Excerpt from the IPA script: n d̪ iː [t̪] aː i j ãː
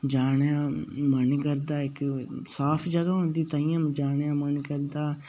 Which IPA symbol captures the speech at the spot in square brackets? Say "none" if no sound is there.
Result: t̪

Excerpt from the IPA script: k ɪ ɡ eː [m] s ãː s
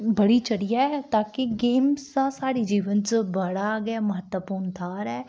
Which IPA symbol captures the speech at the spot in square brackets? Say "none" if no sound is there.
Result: m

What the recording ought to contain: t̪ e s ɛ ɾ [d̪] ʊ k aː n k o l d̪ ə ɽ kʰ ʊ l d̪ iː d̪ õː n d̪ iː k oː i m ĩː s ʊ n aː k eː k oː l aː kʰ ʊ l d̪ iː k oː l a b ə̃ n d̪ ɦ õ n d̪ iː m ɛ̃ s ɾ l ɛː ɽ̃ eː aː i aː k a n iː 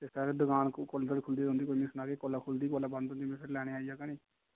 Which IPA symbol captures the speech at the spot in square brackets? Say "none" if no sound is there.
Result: d̪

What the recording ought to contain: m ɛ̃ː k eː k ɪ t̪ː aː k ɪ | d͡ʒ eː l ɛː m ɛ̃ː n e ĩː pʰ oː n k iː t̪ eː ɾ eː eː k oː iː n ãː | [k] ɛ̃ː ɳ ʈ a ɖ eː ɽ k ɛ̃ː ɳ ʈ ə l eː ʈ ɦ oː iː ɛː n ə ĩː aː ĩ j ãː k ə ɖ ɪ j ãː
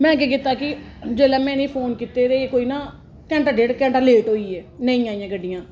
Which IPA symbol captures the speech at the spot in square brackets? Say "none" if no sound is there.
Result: k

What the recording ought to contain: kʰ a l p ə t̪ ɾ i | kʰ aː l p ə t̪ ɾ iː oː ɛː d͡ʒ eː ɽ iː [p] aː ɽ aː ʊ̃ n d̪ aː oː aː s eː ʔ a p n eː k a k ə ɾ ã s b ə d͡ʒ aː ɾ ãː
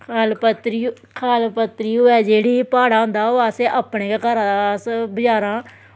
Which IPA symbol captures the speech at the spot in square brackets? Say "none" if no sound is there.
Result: p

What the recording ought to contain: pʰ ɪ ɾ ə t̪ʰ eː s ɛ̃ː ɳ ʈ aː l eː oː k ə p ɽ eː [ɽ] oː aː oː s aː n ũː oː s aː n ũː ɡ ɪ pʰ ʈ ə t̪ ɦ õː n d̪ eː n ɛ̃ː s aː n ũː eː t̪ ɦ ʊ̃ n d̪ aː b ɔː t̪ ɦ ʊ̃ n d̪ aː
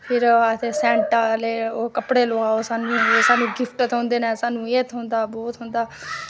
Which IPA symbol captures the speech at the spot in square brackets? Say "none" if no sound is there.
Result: l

